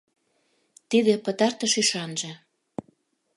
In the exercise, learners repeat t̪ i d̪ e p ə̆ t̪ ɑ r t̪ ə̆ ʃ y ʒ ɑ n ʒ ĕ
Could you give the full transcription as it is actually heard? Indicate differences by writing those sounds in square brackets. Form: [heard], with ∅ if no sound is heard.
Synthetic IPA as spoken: t̪ i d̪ e p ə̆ t̪ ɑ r t̪ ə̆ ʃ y [ʃ] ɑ n ʒ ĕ

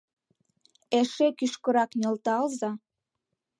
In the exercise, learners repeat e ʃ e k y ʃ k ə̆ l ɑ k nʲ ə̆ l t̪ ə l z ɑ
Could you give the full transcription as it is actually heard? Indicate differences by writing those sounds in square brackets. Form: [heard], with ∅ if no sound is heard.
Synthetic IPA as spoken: e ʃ e k y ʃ k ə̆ [ɾ] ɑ k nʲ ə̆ l t̪ [ɑ] l z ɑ

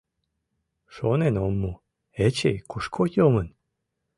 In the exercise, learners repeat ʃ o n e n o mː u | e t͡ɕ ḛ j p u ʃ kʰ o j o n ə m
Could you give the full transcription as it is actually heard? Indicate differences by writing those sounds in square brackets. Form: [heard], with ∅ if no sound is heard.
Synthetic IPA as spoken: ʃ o n e n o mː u | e t͡ɕ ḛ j [k] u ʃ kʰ o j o [m] ə [n]

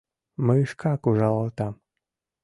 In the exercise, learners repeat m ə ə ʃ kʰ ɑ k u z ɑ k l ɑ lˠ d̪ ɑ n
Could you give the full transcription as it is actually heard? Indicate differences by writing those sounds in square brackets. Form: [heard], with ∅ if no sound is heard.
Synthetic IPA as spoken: m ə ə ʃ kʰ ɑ k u [ʒ] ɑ [∅] l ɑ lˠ [t̪] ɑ [m]

